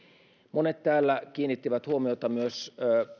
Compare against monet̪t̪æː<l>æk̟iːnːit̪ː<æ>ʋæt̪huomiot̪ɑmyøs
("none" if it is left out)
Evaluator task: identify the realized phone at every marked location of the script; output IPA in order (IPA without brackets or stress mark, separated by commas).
lː, i